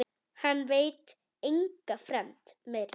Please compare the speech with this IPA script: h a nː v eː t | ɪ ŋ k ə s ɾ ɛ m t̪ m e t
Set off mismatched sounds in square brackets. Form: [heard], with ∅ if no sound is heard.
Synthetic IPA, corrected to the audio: h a [n] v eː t | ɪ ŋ k ə [f] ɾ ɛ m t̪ m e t